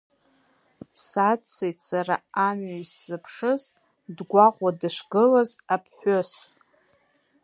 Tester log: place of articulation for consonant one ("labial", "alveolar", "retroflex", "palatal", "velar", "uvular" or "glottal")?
alveolar